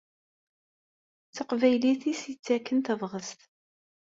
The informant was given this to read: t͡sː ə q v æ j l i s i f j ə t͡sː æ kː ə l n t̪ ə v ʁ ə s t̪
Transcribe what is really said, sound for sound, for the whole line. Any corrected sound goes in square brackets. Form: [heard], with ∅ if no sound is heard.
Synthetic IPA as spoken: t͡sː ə q v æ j l i [θ] i [s] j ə t͡sː æ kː ə [∅] n t̪ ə v ʁ ə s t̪

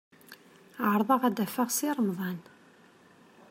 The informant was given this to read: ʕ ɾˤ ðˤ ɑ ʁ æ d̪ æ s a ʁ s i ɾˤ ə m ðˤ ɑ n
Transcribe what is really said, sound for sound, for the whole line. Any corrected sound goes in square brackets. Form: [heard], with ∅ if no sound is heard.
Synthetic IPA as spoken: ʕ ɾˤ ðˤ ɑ ʁ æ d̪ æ [f] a ʁ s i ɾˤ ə m ðˤ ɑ n

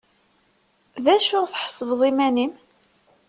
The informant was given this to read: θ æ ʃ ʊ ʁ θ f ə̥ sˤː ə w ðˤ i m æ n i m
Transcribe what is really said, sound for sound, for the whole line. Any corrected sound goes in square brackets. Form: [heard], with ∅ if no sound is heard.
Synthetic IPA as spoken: [ð] æ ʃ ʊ ʁ θ [ħ] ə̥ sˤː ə [v] ðˤ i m æ n i m

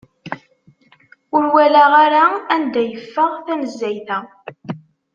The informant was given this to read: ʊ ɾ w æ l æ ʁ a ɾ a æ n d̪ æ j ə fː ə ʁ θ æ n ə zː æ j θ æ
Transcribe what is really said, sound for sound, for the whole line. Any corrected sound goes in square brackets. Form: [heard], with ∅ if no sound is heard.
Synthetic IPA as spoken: ʊ ɾ w æ l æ ʁ a ɾ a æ n d̪ æ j ə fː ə ʁ θ æ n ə zː æ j θ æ

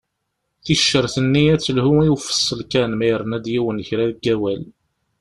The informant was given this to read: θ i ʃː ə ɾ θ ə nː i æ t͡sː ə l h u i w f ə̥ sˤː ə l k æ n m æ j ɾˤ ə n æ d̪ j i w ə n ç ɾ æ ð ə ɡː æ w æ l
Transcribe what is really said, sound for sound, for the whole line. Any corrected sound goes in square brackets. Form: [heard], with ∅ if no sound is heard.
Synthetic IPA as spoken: θ i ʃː ə ɾ θ ə nː i æ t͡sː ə l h u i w f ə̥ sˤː ə l k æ n m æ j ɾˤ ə n æ d̪ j i w ə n ç ɾ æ ð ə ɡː æ w æ l

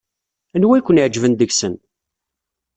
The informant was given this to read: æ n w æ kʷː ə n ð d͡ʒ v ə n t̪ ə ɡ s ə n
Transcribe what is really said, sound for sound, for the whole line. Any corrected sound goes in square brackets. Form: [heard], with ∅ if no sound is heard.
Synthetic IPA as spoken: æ n w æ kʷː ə n [ʕ] d͡ʒ v ə n [d̪] ə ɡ s ə n

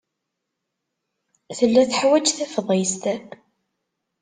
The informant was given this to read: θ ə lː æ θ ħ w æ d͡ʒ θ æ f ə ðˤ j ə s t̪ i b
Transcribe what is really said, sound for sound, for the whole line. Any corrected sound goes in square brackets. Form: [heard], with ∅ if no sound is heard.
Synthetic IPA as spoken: θ ə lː æ θ ħ w æ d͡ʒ θ æ f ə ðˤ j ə s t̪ [æ] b

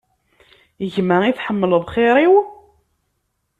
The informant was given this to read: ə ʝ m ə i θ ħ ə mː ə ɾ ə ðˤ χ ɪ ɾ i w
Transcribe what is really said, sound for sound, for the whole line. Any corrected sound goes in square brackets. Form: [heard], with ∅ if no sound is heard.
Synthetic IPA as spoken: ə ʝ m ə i θ ħ ə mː ə [l] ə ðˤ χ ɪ ɾ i w

